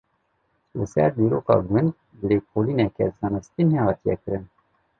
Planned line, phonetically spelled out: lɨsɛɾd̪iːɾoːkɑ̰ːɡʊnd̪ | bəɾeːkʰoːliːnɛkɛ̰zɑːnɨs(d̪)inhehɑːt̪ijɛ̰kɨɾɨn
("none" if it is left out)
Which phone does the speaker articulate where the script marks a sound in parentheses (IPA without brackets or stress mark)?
t̪